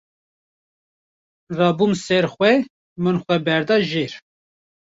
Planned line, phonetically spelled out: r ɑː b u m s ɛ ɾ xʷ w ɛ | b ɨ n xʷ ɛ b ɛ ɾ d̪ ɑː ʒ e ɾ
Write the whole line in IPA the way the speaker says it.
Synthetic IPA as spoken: r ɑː b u m s ɛ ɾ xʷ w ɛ | m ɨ n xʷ ɛ b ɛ ɾ d̪ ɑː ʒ e ɾ